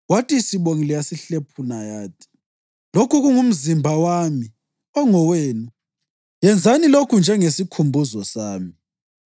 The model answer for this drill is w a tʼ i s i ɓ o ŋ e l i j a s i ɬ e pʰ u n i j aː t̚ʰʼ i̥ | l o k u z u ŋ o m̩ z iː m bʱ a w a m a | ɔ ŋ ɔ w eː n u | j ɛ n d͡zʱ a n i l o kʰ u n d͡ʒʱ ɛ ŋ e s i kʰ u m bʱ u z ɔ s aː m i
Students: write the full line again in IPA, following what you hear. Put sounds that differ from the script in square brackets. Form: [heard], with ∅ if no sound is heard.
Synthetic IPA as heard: w a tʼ i s i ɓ o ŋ [i] l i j a s i ɬ e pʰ u n [a] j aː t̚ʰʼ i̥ | l o k u [ɣ] u ŋ [u] m̩ z [i] m bʱ a w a m [i] | ɔ ŋ ɔ w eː n u | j ɛ n d͡zʱ a n i l o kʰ u n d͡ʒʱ ɛ ŋ e s i kʰ u m bʱ u z ɔ s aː m i